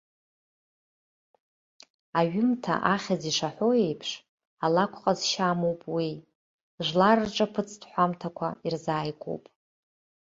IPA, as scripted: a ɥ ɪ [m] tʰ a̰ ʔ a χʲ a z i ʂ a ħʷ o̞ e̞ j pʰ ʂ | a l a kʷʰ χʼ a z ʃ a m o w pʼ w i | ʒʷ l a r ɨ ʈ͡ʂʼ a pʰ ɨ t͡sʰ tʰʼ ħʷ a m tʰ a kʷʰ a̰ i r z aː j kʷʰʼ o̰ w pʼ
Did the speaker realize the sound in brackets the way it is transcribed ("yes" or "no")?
yes